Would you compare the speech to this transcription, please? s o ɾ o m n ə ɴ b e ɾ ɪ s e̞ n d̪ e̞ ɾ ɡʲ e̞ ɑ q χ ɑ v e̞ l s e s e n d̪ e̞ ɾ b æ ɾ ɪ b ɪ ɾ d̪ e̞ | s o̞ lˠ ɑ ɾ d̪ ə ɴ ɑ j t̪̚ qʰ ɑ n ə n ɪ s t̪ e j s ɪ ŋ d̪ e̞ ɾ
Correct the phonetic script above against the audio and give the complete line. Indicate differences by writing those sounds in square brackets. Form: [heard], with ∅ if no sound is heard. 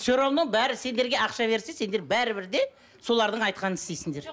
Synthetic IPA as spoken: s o ɾ o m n ə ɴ b [æ] ɾ ɪ s e̞ n d̪ e̞ ɾ ɡʲ e̞ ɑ q [ʃ] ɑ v e̞ [ɾ] s e s e n d̪ e̞ ɾ b æ ɾ ɪ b ɪ ɾ d̪ e̞ | s o̞ lˠ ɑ ɾ d̪ ə ɴ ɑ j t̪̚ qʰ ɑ n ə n ɪ s t̪ e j s ɪ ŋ d̪ e̞ ɾ